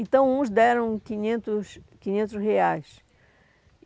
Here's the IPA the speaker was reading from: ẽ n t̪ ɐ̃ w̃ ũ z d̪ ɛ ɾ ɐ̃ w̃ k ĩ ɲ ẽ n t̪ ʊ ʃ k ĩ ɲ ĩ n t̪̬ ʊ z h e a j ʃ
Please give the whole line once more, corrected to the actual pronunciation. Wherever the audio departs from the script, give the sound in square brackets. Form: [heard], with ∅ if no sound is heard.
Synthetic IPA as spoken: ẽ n t̪ ɐ̃ w̃ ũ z d̪ ɛ ɾ ɐ̃ w̃ k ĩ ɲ ẽ n t̪ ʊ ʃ k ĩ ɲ [ẽ] n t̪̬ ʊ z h e a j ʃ